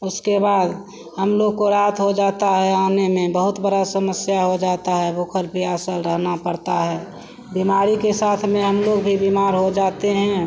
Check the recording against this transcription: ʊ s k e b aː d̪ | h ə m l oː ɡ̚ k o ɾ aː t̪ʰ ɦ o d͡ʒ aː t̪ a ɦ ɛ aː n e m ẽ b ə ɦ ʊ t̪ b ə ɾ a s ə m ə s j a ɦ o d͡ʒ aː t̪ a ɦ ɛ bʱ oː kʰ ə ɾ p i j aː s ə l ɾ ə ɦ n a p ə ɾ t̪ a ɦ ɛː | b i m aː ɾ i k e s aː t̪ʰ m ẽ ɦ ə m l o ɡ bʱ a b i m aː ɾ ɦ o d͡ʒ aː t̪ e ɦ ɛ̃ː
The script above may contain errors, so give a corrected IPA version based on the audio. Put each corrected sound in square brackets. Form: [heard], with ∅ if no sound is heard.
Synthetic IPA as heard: ʊ s k e b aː d̪ | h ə m l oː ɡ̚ k o ɾ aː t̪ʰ ɦ o d͡ʒ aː t̪ a ɦ ɛ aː n e m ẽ b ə ɦ ʊ t̪ b ə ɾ a s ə m ə s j a ɦ o d͡ʒ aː t̪ a ɦ ɛ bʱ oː kʰ ə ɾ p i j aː s ə l ɾ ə ɦ n a p ə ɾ t̪ a ɦ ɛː | b i m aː ɾ i k e s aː t̪ʰ m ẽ ɦ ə m l o ɡ bʱ [i] b i m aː ɾ ɦ o d͡ʒ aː t̪ e ɦ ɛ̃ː